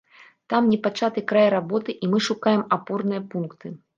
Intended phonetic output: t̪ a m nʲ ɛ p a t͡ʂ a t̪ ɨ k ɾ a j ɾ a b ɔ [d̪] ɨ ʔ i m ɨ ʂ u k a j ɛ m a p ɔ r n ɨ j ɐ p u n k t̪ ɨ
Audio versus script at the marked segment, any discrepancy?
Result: yes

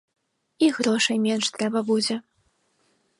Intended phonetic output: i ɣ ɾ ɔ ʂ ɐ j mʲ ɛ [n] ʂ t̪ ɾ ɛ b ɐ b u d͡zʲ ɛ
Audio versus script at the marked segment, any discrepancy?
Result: no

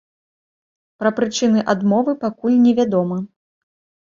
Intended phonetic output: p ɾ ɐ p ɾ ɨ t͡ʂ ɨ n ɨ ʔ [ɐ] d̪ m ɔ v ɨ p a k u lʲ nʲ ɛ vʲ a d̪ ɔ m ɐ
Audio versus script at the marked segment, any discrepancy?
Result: yes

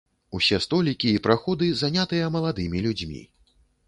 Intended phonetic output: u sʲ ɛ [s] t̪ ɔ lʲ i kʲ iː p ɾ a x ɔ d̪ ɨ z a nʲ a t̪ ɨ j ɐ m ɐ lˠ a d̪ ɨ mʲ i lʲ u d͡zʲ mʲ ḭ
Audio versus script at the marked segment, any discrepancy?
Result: no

